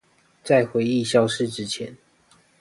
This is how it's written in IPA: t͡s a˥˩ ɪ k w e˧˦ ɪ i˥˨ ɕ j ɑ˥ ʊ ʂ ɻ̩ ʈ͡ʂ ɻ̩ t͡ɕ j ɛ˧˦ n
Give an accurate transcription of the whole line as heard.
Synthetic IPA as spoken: t͡s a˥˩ ɪ x w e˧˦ ɪ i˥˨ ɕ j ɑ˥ ʊ ʂ ɻ̩ ʈ͡ʂ ɻ̩ t͡ɕʰ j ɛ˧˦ n